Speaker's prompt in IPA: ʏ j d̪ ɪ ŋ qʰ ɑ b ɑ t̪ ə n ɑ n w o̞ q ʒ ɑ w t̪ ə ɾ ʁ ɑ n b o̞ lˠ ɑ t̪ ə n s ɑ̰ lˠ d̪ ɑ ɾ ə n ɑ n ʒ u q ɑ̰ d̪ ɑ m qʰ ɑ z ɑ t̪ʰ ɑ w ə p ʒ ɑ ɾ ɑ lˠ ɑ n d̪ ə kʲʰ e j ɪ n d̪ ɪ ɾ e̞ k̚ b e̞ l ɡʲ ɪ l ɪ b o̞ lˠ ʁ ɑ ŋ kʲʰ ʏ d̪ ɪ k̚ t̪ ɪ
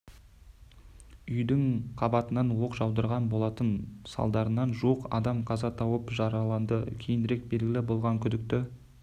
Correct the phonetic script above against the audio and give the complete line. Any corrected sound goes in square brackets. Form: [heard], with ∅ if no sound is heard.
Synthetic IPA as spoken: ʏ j d̪ ɪ ŋ qʰ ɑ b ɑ t̪ ə n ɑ n w o̞ q ʒ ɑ w [d̪] ə ɾ ʁ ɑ n b o̞ lˠ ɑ t̪ ə n s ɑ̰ lˠ d̪ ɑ ɾ ə n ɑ n ʒ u q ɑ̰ d̪ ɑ m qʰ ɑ z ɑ t̪ʰ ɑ w ə p ʒ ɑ ɾ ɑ lˠ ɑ n d̪ ə kʲʰ e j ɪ n d̪ ɪ ɾ e̞ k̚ b e̞ l ɡʲ ɪ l ɪ b o̞ lˠ ʁ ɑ ŋ kʲʰ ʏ d̪ ɪ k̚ t̪ ɪ

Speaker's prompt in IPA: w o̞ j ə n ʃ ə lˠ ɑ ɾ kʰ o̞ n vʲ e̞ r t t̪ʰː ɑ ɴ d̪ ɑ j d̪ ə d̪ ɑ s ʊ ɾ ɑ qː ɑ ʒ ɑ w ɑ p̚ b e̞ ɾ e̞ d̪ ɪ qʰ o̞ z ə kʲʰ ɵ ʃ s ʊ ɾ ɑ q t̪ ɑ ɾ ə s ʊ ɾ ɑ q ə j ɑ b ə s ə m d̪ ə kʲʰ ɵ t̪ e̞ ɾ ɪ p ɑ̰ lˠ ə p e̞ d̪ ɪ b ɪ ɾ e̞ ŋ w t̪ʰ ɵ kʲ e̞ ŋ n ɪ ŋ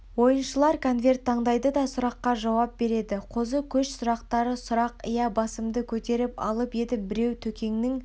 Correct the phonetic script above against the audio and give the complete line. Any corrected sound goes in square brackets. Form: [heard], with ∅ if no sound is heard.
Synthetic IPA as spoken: w o̞ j ə n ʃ ə lˠ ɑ ɾ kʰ o̞ n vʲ e̞ r t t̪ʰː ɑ ɴ d̪ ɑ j d̪ ə d̪ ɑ s ʊ ɾ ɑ qː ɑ ʒ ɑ w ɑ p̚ b e̞ ɾ e̞ d̪ ɪ qʰ o̞ z ə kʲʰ ɵ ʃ s ʊ ɾ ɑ q t̪ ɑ ɾ ə s ʊ ɾ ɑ q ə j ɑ b [ɑ] s ə m d̪ ə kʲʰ ɵ t̪ e̞ ɾ ɪ p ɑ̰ lˠ ə p e̞ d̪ ɪ b ɪ ɾ e̞ [∅] w t̪ʰ ɵ kʲ e̞ ŋ n ɪ ŋ

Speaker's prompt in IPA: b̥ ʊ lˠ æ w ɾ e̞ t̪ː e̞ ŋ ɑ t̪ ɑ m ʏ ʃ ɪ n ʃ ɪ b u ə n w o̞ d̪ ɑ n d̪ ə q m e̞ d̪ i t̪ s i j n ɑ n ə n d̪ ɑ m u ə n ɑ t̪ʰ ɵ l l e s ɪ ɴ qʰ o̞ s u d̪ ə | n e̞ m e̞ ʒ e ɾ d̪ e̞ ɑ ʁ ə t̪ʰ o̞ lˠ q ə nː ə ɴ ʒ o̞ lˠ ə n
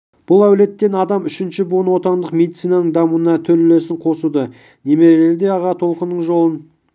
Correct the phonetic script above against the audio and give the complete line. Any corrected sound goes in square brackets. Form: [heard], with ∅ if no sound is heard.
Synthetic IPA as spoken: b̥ ʊ lˠ æ w [l] e̞ t̪ː e̞ [n] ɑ [d̪] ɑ m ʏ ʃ ɪ n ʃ ɪ b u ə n w o̞ [t̪] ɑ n d̪ ə q m e̞ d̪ i t̪ s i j n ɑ n ə [ɴ] d̪ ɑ m u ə n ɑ t̪ʰ ɵ l l e s ɪ ɴ qʰ o̞ s u d̪ ə | n e̞ m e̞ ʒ e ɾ d̪ e̞ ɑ ʁ [ɑ] t̪ʰ o̞ lˠ q ə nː ə ɴ ʒ o̞ lˠ ə n

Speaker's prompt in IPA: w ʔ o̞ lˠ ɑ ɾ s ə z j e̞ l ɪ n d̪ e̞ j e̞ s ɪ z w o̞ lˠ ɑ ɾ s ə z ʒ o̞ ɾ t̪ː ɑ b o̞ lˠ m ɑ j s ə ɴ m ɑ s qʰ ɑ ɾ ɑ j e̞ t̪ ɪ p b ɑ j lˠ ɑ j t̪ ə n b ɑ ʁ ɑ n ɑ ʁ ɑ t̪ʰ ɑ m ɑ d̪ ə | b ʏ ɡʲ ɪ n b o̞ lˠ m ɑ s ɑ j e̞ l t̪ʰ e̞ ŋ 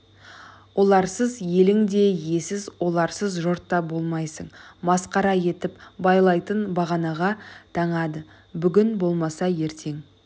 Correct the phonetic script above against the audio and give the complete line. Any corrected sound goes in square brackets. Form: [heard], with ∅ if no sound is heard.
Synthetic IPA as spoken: w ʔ o̞ lˠ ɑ ɾ s ə z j e̞ l ɪ [ŋ] d̪ e̞ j e̞ s ɪ z w o̞ lˠ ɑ ɾ s ə z ʒ o̞ ɾ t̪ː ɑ b o̞ lˠ m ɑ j s ə ɴ m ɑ s [q] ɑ ɾ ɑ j e̞ t̪ ɪ p b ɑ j lˠ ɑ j t̪ ə n b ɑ ʁ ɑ n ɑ ʁ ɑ t̪ʰ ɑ [ɴ] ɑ d̪ ə | b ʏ ɡʲ ɪ n b o̞ lˠ m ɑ s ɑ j e̞ [ɾ] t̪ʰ e̞ ŋ

